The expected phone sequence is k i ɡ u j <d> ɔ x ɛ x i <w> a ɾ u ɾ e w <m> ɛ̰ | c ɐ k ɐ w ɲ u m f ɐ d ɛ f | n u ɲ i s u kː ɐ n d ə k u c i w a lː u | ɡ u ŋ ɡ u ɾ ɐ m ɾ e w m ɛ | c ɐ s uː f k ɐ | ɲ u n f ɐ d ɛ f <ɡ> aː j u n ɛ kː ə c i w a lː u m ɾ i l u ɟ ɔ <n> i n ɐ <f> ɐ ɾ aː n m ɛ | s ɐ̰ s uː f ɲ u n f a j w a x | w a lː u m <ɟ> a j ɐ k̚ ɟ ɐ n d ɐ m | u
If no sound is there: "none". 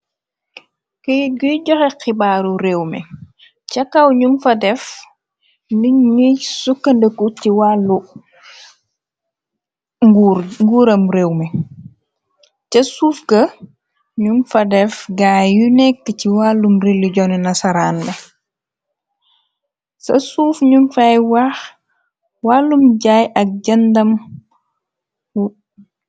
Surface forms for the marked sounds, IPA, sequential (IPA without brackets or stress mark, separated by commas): ɟ, b, m, ɡ, n, s, ɟ